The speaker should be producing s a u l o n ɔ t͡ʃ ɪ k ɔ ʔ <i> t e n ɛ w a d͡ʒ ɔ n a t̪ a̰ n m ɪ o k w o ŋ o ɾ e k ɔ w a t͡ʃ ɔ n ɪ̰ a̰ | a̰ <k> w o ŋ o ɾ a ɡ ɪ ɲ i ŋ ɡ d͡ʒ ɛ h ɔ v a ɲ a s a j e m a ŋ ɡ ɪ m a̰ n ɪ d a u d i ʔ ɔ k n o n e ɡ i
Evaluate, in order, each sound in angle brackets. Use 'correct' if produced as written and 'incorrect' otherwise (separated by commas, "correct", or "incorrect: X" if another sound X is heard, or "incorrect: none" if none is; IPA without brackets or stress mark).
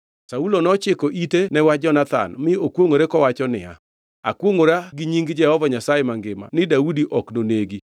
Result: correct, correct